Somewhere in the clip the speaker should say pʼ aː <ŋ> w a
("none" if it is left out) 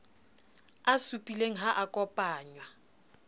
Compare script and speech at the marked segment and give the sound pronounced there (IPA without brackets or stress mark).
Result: ɲ